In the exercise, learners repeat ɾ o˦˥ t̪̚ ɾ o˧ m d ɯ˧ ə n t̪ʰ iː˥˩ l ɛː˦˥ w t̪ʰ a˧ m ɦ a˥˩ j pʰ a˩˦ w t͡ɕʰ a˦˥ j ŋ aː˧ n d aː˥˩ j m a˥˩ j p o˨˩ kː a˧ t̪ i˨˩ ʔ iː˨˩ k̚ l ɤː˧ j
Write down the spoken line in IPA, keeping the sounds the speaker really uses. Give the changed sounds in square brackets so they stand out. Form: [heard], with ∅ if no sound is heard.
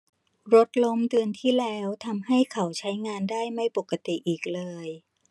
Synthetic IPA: ɾ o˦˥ t̪̚ [l] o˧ m d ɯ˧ ə n t̪ʰ iː˥˩ l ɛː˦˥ w t̪ʰ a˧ m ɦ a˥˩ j [kʰ] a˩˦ w t͡ɕʰ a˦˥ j ŋ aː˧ n d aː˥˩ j m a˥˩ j p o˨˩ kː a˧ t̪ i˨˩ ʔ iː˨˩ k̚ l ɤː˧ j